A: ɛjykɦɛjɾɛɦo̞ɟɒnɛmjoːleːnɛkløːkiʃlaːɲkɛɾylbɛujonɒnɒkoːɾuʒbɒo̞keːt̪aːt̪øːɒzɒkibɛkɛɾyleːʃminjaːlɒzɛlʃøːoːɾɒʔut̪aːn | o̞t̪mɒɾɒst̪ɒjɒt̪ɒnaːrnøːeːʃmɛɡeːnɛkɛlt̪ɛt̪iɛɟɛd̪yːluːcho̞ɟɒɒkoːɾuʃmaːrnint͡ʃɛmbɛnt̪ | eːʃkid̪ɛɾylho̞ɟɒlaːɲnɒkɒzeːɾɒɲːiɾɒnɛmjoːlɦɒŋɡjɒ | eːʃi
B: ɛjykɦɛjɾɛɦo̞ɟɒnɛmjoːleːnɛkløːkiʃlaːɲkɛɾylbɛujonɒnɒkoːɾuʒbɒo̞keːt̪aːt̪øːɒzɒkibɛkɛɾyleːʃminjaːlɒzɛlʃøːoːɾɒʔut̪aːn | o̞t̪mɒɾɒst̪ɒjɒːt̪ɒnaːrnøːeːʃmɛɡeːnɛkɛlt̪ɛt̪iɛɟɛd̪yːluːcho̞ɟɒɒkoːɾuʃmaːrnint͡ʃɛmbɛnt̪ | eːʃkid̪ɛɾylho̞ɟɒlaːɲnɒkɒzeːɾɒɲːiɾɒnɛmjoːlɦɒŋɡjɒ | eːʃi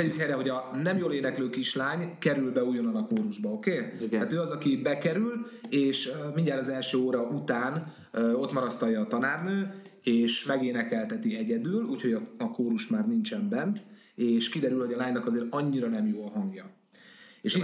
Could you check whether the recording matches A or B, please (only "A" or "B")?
B